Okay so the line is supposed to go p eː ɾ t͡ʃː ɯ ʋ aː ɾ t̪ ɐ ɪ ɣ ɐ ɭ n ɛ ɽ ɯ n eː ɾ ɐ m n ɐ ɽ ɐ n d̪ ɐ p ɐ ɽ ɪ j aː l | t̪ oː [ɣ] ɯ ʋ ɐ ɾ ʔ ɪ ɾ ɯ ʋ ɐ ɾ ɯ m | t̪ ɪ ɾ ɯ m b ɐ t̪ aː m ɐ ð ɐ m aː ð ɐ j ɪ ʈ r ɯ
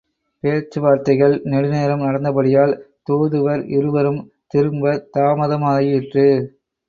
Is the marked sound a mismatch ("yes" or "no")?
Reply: yes